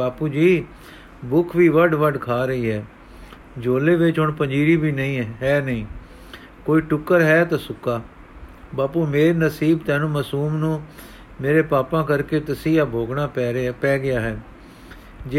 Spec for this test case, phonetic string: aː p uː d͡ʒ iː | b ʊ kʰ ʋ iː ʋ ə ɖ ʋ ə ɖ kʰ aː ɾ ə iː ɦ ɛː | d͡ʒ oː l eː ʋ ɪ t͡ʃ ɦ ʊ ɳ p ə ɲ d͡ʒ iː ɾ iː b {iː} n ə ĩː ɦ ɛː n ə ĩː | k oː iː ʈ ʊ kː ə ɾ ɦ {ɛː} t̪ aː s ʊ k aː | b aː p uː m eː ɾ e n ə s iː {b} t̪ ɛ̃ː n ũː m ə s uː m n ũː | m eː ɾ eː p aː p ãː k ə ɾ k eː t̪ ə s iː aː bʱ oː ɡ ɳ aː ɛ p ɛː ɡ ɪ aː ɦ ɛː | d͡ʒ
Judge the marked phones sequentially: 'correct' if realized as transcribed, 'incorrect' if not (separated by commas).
correct, correct, correct